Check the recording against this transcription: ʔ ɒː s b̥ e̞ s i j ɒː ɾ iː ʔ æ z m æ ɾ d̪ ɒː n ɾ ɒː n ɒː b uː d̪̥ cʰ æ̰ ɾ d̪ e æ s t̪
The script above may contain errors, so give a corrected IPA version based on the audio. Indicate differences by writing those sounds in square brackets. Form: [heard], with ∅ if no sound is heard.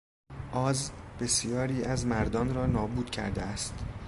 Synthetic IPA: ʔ ɒː [z] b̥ e̞ s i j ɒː ɾ iː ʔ æ z m æ ɾ d̪ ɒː n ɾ ɒː n ɒː b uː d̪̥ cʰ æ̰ ɾ d̪ e æ s t̪